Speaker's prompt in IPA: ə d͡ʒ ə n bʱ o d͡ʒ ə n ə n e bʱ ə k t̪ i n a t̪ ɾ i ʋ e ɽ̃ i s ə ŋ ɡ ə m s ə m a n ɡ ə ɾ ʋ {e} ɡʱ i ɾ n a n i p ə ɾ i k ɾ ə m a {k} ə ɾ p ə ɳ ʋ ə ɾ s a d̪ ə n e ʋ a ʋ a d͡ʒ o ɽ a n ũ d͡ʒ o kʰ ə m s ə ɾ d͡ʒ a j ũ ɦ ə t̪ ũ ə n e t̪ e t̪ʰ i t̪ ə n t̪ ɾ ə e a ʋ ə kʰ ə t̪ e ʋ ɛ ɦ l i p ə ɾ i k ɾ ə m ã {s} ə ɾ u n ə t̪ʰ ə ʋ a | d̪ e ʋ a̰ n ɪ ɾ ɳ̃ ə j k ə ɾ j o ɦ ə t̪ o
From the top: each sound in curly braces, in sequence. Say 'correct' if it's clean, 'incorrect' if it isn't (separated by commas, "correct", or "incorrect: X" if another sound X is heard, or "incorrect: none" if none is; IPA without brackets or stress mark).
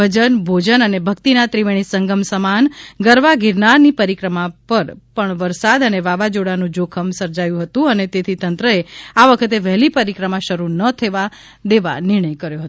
incorrect: a, incorrect: p, incorrect: ʃ